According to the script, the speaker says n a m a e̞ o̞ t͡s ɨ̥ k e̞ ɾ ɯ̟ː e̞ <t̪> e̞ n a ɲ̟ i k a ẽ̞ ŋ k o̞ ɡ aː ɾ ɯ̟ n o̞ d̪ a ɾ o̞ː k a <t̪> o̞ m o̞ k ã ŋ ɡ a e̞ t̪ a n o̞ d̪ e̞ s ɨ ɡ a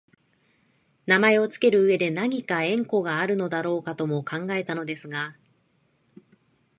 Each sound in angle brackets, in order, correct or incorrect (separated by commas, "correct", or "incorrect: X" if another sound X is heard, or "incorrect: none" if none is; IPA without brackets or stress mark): incorrect: d̪, correct